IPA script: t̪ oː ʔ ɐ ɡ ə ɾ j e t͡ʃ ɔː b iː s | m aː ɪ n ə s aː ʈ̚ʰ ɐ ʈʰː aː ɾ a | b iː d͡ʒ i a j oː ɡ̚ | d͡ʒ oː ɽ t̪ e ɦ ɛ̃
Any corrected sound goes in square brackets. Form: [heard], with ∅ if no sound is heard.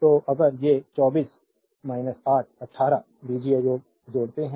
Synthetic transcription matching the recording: t̪ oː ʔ ɐ ɡ ə ɾ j e t͡ʃ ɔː b iː s | m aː ɪ n ə s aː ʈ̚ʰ ɐ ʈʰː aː ɾ a | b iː d͡ʒ i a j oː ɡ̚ | d͡ʒ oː ɽ t̪ e ɦ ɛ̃